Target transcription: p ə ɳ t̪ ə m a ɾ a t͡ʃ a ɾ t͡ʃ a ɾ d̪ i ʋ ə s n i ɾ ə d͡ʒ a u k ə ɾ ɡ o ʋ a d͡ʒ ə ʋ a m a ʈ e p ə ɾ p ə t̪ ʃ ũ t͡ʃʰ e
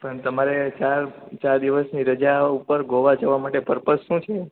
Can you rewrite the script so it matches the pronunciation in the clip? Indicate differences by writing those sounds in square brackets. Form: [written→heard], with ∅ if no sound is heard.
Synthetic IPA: p ə ɳ t̪ ə m a ɾ [a→e] t͡ʃ a ɾ t͡ʃ a ɾ d̪ i ʋ ə s n i ɾ ə d͡ʒ a u [k→p] ə ɾ ɡ o ʋ a d͡ʒ ə ʋ a m a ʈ e p ə ɾ p ə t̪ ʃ ũ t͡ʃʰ e